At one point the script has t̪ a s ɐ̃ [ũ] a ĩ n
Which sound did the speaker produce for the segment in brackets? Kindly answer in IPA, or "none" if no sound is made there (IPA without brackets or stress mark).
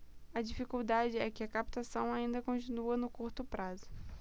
w̃